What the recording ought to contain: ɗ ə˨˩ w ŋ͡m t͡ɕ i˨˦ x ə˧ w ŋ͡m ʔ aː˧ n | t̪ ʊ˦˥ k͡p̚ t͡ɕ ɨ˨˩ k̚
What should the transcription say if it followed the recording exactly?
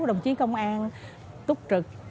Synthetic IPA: ɗ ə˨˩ w ŋ͡m t͡ɕ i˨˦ k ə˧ w ŋ͡m ʔ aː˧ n | t̪ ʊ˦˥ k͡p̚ t͡ɕ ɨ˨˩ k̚